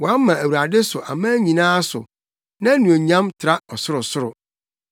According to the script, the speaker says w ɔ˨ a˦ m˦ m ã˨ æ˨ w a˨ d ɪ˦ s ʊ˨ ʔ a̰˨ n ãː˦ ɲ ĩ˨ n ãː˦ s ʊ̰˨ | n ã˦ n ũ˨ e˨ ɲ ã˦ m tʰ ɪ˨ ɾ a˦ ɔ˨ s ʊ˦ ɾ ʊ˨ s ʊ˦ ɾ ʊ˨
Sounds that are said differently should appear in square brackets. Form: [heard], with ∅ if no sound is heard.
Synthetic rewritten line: w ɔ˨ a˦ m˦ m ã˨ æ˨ w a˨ d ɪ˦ s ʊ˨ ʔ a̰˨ [m] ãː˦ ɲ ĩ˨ n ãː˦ s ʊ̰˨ | n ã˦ n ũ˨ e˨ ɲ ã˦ m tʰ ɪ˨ ɾ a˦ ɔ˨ s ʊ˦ ɾ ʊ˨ s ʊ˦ ɾ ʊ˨